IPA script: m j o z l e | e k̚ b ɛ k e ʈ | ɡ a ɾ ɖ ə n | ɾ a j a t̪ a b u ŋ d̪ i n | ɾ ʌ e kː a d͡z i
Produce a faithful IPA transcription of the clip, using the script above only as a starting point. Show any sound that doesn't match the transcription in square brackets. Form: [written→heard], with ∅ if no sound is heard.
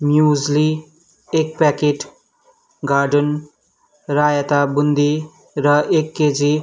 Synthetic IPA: m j [o→u] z l [e→i] | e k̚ [b→p] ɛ k e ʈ | ɡ a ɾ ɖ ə n | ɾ a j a t̪ a b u [ŋ→n] d̪ i [n→∅] | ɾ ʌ e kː [a→e] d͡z i